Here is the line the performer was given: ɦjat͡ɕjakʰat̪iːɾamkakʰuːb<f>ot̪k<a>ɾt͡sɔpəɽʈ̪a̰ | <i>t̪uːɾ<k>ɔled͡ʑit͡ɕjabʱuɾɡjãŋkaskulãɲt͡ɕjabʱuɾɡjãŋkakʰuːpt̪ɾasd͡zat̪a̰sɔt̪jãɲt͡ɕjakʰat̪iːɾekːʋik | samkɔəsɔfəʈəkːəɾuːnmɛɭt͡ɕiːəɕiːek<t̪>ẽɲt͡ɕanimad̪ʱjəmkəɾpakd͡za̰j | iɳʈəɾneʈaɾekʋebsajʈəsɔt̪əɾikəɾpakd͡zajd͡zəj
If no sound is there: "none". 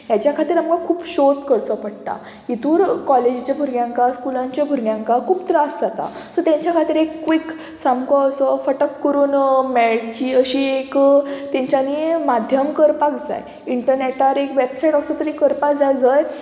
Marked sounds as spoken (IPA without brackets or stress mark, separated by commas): ɕ, ə, i, k, t̪